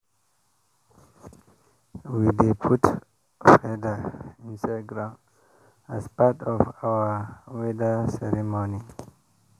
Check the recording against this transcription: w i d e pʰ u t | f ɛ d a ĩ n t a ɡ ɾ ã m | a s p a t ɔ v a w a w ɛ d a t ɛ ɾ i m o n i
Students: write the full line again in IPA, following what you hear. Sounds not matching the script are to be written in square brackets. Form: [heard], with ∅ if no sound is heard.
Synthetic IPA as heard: w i d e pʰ u t | f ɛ d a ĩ n [s] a ɡ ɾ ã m | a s p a t ɔ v a w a w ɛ d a [s] ɛ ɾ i m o n i